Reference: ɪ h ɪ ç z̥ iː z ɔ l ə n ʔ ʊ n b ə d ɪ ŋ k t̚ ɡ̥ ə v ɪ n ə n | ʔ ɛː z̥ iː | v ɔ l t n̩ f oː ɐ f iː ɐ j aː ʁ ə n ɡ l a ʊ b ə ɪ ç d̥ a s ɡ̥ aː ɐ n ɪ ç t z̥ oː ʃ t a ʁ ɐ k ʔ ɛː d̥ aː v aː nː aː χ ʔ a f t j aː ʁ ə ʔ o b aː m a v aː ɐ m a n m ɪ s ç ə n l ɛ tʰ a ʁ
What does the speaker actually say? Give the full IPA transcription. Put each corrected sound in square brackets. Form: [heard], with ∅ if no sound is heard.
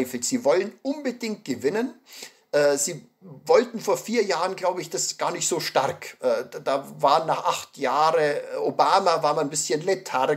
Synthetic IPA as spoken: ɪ [f] ɪ ç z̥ iː [v] ɔ l ə n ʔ ʊ n b ə d ɪ ŋ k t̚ ɡ̥ ə v ɪ n ə n | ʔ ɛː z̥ iː | v ɔ l t n̩ f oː ɐ f iː ɐ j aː ʁ ə n ɡ l a ʊ b ə ɪ ç d̥ a s ɡ̥ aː ɐ n ɪ ç t z̥ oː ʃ t a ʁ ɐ k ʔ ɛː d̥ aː v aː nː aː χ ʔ a [χ] t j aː ʁ ə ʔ o b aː m a v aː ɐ m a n [b] ɪ s ç ə n l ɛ tʰ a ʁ